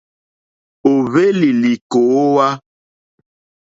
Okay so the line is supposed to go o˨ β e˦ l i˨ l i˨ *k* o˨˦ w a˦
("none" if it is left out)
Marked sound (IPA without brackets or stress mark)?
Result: k